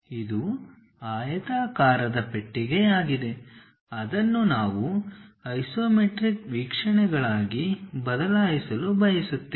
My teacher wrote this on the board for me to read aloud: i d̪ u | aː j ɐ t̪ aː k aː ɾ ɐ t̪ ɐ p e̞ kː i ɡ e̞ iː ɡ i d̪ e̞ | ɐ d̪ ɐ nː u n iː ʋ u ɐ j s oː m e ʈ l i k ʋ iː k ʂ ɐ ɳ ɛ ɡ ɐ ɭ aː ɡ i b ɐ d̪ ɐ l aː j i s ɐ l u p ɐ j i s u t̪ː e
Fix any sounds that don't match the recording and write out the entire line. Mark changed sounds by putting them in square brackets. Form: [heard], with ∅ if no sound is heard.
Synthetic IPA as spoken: i d̪ u | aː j ɐ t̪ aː k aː ɾ ɐ [d̪] ɐ p e̞ [ʈː] i ɡ e̞ [aː] ɡ i d̪ e̞ | ɐ d̪ ɐ nː u n [aː] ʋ u ɐ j s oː m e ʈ [ɾ] i k ʋ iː k ʂ ɐ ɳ ɛ ɡ ɐ ɭ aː ɡ i b ɐ d̪ ɐ l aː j i s ɐ l u [b] ɐ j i s u t̪ː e